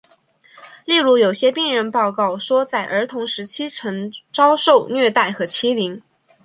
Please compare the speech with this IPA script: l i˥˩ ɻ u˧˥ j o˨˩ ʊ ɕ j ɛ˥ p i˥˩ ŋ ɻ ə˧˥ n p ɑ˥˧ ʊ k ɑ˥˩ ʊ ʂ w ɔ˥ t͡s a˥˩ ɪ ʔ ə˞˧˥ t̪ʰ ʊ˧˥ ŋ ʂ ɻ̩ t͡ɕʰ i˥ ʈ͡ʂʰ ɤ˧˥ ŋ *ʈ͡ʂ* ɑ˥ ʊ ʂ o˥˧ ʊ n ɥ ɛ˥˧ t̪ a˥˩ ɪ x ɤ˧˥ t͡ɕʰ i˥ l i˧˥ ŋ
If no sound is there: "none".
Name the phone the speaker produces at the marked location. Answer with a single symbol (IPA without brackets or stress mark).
ʈ͡ʂ